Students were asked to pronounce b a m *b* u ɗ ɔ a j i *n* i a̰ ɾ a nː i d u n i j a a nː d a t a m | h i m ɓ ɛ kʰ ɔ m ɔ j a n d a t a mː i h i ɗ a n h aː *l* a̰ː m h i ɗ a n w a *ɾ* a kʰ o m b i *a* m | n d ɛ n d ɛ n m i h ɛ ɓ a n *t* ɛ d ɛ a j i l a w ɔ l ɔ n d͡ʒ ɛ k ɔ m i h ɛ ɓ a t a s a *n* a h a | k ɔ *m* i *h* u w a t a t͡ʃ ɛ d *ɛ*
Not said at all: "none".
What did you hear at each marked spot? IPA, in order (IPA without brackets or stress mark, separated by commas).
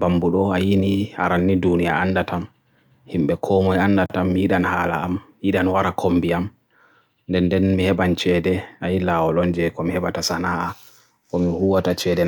b, n, l, ɾ, a, t͡ʃ, n, m, h, ɛ